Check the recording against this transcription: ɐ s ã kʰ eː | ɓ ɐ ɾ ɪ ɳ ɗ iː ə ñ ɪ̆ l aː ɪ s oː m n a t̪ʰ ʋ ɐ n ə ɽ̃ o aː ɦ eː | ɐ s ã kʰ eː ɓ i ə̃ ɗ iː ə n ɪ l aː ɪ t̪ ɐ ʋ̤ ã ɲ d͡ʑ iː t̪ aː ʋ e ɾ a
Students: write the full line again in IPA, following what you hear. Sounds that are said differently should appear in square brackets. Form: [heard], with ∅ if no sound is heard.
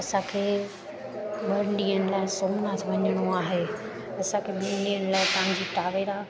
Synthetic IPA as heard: ɐ s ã kʰ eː | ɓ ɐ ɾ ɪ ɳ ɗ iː ə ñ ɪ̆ l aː ɪ s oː m n a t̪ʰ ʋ ɐ [ɲ] ə ɽ̃ o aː ɦ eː | ɐ s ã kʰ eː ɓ i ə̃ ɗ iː ə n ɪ l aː ɪ t̪ ɐ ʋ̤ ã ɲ d͡ʑ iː t̪ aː ʋ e ɾ a